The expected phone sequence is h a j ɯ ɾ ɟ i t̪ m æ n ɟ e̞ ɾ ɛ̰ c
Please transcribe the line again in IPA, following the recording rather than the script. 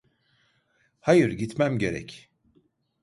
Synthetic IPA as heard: h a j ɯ ɾ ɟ i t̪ m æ m ɟ e̞ ɾ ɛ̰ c